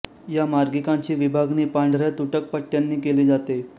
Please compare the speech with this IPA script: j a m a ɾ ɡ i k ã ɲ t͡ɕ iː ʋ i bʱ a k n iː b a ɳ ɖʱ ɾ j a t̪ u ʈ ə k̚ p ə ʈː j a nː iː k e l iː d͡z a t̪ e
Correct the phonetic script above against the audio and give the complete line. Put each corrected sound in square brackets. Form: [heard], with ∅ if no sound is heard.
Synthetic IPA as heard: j a m a ɾ ɡ i k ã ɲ t͡ɕ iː ʋ i bʱ a [ɡ] n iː [p] a ɳ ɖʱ ɾ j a t̪ u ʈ ə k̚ p ə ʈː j a nː iː k e l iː d͡z a t̪ e